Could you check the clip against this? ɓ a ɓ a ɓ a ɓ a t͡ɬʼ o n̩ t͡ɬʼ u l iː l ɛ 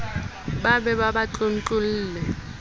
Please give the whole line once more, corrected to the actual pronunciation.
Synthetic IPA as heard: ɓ a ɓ ɛ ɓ a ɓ a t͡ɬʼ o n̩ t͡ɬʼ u l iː l ɛ